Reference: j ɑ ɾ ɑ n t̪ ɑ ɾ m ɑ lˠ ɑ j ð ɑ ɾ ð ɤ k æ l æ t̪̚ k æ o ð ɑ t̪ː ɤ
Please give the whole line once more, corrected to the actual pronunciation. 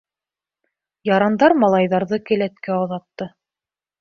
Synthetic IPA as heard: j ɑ ɾ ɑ n d̪ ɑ ɾ m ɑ lˠ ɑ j ð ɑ ɾ ð ɤ k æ l æ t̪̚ k æ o ð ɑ t̪ː ɤ